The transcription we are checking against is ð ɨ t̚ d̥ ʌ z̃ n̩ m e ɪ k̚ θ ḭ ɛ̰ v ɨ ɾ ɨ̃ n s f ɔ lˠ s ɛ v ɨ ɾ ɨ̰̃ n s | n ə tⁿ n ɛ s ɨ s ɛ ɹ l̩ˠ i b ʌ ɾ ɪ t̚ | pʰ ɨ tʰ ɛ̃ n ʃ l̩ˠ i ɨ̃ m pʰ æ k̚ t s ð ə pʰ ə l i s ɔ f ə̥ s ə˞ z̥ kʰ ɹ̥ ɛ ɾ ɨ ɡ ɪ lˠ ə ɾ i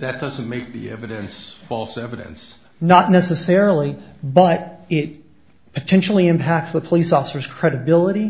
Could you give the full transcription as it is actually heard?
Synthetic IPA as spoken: ð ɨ t̚ d̥ ʌ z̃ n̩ m e ɪ k̚ ð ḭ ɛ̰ v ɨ ɾ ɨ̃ n s f ɔ lˠ s ɛ v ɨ ɾ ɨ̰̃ n s | n ə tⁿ n ɛ s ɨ s ɛ ɹ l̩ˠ i b ʌ ɾ ɪ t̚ | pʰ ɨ tʰ ɛ̃ n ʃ l̩ˠ i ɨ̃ m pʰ æ k̚ t s ð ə pʰ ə l i s ɔ f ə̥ s ə˞ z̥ kʰ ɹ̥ ɛ ɾ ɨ b ɪ lˠ ə ɾ i